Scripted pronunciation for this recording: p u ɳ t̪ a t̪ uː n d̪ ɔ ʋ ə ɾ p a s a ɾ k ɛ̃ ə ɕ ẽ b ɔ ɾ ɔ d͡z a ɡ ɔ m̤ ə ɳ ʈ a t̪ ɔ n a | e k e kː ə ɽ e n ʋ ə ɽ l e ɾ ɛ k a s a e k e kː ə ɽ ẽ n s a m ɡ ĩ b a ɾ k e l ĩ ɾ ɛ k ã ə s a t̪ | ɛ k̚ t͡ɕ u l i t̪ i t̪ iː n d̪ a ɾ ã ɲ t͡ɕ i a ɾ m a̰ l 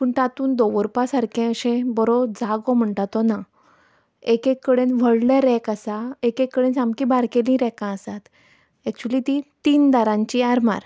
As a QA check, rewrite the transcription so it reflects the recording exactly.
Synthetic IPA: p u ɳ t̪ a t̪ uː n d̪ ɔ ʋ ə ɾ p a s a ɾ k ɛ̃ ə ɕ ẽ b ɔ ɾ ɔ d͡z a ɡ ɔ m̤ ə ɳ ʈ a t̪ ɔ n a | e k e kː ə ɽ e n ʋ ə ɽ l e ɾ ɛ k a s a e k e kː ə ɽ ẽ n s a m k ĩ b a ɾ k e l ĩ ɾ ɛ k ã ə s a t̪ | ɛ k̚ t͡ɕ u l i t̪ i t̪ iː n d̪ a ɾ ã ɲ t͡ɕ i a ɾ m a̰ ɾ